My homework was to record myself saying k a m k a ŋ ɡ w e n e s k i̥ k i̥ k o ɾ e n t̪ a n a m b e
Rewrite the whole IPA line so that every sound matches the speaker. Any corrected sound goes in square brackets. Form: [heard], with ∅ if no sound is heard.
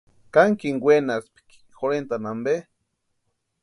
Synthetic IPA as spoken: k a [ŋ] k [i] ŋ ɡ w e n [a] s [p] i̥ k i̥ [x] o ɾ e n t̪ a n a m b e